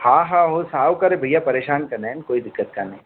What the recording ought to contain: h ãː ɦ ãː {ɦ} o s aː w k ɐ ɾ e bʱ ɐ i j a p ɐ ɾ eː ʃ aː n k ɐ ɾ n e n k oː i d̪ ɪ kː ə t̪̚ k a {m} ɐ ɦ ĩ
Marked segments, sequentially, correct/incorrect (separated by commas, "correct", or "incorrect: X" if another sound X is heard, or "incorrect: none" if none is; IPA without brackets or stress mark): correct, incorrect: n